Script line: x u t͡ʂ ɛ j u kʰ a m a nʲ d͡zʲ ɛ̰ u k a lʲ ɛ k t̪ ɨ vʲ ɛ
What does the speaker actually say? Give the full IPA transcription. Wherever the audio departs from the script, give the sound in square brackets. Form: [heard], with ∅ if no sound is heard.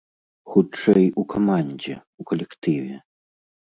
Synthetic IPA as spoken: x u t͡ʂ ɛ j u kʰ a m a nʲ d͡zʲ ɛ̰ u k [ɐ] lʲ ɛ k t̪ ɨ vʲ ɛ